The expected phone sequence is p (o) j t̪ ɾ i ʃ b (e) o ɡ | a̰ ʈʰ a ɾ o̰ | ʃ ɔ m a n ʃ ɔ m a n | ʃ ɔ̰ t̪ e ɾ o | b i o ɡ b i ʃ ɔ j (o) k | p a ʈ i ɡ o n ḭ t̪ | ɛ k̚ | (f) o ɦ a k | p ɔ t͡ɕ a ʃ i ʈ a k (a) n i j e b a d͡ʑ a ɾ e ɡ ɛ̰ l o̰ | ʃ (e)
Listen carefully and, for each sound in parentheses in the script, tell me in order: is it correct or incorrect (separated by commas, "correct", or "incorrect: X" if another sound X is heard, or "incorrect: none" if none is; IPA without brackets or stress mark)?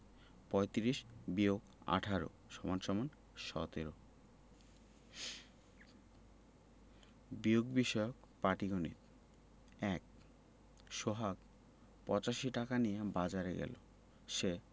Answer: incorrect: ɔ, incorrect: i, correct, incorrect: ʃ, correct, correct